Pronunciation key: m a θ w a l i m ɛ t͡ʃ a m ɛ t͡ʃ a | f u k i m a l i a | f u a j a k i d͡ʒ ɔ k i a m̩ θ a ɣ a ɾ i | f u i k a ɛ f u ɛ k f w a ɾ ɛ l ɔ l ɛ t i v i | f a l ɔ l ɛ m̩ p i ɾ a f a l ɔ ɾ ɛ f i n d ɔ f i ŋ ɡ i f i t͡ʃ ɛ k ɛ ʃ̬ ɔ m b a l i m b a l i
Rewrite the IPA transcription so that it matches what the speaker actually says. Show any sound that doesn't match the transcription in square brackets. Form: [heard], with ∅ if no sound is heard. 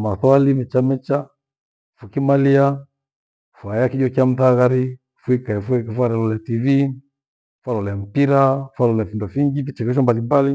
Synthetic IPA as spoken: m a θ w a l i m ɛ t͡ʃ a m ɛ t͡ʃ a | f u k i m a l i a | f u a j a k i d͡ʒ ɔ k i a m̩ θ a ɣ a ɾ i | f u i k a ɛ f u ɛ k f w a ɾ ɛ l ɔ l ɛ t i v i | f a l ɔ l ɛ m̩ p i ɾ a f a l ɔ [l] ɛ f i n d ɔ f i ŋ ɡ i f i t͡ʃ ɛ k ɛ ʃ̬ ɔ m b a l i m b a l i